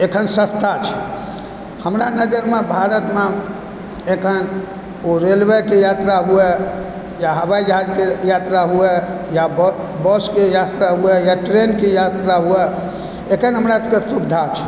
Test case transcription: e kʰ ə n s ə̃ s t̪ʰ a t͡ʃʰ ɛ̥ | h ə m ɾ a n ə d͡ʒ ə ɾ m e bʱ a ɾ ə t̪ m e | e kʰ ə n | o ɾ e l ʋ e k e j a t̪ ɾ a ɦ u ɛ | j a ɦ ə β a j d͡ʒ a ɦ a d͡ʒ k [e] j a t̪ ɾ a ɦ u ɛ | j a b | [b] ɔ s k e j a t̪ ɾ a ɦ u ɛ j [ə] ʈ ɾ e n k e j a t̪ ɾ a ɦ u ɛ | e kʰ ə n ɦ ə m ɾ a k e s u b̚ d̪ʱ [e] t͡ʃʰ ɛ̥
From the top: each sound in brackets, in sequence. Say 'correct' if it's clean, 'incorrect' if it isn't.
correct, correct, incorrect: a, incorrect: a

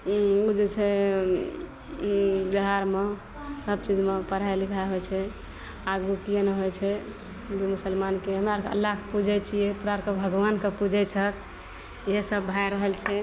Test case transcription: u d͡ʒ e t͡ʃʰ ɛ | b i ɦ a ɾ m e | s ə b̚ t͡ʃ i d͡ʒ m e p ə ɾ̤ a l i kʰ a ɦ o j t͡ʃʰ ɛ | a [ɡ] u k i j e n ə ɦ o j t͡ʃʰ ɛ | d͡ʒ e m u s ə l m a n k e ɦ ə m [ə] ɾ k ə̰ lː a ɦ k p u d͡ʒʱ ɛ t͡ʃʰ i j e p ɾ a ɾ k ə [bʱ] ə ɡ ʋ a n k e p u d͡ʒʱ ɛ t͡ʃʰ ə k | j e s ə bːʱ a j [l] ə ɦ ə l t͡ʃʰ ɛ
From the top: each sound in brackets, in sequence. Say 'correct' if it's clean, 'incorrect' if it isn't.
correct, incorrect: a, correct, incorrect: ɾ

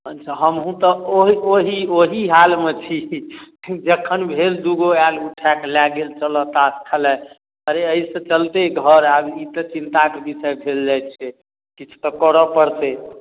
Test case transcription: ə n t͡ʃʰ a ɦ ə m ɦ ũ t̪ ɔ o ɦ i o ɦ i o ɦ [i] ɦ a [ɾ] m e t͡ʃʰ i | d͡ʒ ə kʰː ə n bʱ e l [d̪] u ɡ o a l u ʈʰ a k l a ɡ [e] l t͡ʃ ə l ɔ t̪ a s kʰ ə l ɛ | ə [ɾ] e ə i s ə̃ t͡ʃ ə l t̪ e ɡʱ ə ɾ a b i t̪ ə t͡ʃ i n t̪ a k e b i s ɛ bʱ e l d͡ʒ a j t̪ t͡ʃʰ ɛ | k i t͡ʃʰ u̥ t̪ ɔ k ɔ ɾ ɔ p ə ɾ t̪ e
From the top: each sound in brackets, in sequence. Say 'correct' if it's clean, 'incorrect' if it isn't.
correct, incorrect: l, correct, correct, correct

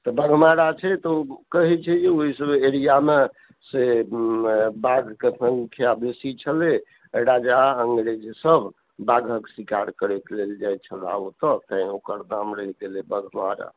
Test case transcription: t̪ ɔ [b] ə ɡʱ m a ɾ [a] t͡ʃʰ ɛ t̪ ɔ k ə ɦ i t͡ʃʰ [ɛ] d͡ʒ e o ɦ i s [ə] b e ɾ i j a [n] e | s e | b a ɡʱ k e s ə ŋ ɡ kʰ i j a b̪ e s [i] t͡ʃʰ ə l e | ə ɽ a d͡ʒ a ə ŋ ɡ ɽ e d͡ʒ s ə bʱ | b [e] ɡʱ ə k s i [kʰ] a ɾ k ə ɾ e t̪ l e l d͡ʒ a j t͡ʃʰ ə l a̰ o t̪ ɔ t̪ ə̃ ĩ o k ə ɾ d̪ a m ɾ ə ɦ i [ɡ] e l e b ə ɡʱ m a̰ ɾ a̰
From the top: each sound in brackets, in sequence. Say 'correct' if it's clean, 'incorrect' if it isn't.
correct, correct, correct, correct, incorrect: m, correct, incorrect: a, incorrect: k, correct

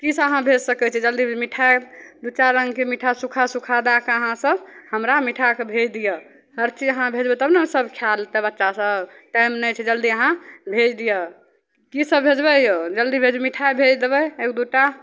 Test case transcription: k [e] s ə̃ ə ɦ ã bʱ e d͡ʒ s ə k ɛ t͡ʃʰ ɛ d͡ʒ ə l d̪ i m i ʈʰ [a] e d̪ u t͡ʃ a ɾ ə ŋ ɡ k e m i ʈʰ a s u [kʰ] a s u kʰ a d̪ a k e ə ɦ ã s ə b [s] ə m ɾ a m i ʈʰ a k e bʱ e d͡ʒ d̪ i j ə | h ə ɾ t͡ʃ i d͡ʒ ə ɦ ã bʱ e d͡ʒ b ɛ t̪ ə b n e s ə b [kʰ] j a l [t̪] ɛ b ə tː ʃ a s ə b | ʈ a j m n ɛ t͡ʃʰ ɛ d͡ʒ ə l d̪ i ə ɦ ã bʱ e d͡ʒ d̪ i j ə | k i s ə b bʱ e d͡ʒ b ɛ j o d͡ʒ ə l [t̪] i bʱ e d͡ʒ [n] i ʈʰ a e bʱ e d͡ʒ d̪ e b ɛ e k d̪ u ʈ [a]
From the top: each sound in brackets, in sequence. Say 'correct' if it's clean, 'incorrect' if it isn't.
incorrect: i, correct, correct, incorrect: h, correct, correct, incorrect: d̪, incorrect: m, correct

